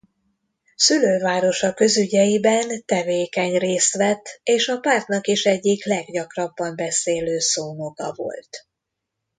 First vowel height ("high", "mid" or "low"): high